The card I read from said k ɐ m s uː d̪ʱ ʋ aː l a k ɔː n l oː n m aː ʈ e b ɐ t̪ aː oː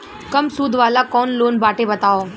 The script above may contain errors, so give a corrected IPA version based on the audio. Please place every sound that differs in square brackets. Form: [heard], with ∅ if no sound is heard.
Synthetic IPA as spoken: k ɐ m s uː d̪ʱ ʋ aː l a k ɔː n l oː n [b] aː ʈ e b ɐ t̪ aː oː